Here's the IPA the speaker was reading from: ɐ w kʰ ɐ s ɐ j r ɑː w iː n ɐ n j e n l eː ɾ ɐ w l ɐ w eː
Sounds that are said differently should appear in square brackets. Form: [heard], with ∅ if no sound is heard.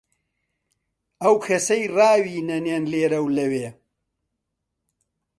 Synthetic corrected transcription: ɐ w kʰ ɐ s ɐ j r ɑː w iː n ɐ n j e n l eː ɾ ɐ w l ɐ w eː

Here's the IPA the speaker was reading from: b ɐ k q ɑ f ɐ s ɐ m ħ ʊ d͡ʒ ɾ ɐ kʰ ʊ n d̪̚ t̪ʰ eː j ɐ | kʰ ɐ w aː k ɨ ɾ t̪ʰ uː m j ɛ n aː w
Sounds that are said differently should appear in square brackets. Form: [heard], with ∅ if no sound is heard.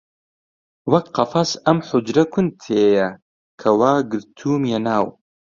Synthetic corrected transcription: [w] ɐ k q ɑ f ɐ s ɐ m ħ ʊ d͡ʒ ɾ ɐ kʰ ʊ n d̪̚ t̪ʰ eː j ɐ | kʰ ɐ w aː [ɡ] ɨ ɾ t̪ʰ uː m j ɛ n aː w

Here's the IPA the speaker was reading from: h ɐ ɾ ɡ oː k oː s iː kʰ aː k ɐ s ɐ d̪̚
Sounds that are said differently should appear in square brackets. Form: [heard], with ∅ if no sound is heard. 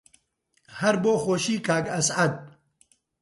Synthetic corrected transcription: h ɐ ɾ [b] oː [x] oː [ʃ] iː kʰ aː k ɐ s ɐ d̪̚

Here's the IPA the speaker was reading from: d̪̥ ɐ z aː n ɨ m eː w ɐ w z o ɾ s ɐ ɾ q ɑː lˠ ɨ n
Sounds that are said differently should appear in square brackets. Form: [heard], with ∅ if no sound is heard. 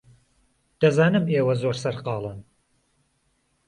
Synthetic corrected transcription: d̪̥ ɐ z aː n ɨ m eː w ɐ [∅] z o ɾ s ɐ ɾ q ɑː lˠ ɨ n

